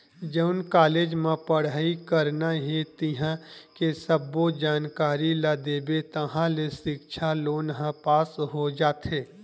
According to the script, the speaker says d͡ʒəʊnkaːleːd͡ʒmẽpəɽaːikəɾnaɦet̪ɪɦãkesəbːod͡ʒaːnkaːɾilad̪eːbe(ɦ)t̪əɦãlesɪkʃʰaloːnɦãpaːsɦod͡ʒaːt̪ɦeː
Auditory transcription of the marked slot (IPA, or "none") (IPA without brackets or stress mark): none